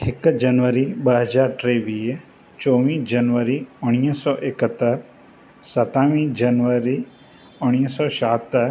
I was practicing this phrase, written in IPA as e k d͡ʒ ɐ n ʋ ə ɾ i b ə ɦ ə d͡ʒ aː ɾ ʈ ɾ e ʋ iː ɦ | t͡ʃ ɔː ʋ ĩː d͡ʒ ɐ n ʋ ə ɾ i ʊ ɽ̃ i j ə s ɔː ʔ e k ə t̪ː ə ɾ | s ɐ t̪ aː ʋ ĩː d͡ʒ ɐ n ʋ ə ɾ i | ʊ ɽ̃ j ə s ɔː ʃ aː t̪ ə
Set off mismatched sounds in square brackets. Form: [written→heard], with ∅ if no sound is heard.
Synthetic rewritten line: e k d͡ʒ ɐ n ʋ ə ɾ i b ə ɦ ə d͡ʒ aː ɾ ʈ ɾ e ʋ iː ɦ | t͡ʃ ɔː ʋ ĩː d͡ʒ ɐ n ʋ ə ɾ i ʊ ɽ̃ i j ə s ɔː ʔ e k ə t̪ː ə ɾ | s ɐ t̪ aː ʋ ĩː d͡ʒ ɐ n ʋ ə ɾ i | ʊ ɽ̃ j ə s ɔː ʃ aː t̪ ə